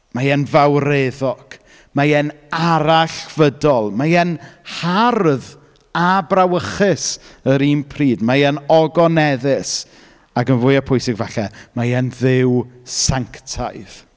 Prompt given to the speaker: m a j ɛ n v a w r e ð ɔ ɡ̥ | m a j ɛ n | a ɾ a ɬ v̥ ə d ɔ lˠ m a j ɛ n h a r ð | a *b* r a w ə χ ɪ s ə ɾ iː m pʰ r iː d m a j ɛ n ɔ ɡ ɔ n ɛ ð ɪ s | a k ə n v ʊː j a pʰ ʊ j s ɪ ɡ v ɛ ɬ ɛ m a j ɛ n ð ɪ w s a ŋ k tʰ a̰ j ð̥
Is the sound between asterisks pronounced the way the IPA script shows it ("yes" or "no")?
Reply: yes